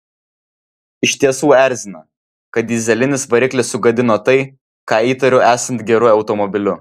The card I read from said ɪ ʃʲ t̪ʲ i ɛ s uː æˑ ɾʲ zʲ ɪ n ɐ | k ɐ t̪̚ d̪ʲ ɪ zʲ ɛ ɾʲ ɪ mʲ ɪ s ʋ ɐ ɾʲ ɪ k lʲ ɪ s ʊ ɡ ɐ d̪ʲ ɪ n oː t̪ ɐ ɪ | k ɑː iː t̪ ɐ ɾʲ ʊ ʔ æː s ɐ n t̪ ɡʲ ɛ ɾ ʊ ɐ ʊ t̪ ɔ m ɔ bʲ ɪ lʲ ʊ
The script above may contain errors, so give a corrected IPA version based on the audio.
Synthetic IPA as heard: ɪ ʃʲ t̪ʲ i ɛ s uː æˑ ɾʲ zʲ ɪ n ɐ | k ɐ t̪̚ d̪ʲ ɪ zʲ ɛ lʲ ɪ nʲ ɪ s ʋ ɐ ɾʲ ɪ k lʲ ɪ s ʊ ɡ ɐ d̪ʲ ɪ n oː t̪ ɐ ɪ | k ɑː iː t̪ ɐ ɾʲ ʊ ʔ æː s ɐ n t̪ ɡʲ ɛ ɾ ʊ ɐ ʊ t̪ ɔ m ɔ bʲ ɪ lʲ ʊ